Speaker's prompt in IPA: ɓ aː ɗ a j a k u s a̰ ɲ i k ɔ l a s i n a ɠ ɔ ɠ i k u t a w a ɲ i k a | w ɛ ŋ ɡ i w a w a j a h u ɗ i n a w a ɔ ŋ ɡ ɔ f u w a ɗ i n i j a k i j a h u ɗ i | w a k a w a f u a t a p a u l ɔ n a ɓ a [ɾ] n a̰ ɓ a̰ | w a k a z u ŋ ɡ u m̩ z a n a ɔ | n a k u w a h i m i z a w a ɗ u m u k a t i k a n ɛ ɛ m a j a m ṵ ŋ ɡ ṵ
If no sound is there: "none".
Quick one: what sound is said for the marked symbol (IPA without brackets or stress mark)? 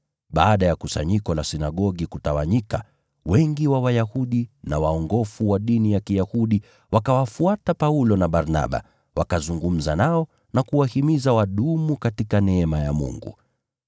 ɾ